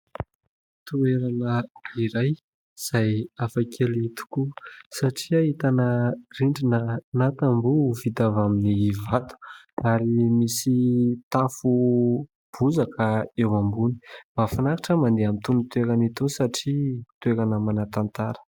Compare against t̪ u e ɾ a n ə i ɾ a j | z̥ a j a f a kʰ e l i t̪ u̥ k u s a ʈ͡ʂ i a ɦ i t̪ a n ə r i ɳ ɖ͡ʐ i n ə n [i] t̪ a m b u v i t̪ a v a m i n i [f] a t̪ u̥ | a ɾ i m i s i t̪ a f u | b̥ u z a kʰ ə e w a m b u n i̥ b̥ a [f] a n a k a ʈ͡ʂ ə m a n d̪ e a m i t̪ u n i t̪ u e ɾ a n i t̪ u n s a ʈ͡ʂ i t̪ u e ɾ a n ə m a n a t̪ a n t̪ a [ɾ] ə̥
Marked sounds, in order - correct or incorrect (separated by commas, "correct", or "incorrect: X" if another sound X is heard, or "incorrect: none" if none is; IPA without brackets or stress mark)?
incorrect: a, incorrect: v, correct, correct